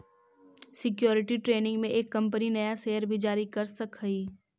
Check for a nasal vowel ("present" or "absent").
present